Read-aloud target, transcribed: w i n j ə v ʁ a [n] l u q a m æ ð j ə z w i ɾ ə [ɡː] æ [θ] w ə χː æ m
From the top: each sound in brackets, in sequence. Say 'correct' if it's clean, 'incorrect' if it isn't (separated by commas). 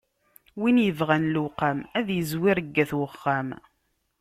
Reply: correct, correct, correct